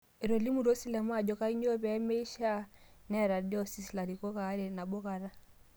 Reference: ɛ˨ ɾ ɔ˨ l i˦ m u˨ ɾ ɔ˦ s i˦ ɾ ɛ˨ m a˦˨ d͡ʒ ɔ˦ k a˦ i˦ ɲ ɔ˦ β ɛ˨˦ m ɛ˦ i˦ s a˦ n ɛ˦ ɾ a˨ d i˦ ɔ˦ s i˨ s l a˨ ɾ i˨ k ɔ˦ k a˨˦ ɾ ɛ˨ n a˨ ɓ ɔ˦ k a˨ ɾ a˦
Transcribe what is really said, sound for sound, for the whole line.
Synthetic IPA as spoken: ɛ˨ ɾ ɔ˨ l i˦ m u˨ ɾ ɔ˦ s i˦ l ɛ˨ m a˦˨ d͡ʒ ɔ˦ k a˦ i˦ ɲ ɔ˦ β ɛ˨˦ m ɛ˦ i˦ ʃ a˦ n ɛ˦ ɾ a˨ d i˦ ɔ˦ s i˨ s l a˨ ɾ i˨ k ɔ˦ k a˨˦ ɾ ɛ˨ n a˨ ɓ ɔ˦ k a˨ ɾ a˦